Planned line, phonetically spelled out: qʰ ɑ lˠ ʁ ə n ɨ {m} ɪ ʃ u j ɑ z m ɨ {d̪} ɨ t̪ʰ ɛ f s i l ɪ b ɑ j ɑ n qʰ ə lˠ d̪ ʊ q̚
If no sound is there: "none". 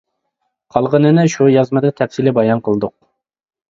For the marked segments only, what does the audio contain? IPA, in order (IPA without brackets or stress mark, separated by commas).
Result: n, d̪